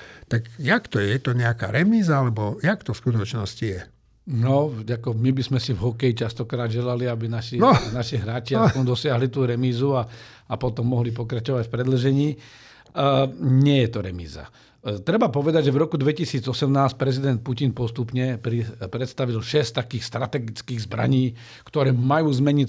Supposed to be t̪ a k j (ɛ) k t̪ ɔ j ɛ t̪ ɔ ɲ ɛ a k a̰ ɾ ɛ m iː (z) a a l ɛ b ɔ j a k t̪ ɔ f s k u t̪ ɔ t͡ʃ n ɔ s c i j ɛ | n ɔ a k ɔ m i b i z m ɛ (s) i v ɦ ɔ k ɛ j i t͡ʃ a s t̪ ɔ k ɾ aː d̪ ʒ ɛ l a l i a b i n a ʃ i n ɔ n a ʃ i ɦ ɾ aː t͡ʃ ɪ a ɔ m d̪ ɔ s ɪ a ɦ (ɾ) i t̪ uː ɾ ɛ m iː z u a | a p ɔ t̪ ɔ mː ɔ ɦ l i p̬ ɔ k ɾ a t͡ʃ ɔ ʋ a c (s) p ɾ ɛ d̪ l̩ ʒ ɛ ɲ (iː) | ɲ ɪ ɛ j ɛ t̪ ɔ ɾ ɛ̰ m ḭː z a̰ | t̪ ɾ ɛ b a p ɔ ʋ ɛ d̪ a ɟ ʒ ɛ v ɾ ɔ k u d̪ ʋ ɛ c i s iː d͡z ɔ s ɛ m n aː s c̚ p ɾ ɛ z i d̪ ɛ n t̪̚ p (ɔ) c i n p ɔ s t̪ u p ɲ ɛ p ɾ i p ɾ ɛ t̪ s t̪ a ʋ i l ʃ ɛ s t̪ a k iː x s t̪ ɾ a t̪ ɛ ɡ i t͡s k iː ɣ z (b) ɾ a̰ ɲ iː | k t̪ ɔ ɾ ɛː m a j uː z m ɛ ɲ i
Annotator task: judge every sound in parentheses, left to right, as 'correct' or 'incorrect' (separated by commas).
incorrect, correct, correct, incorrect, incorrect, correct, incorrect, correct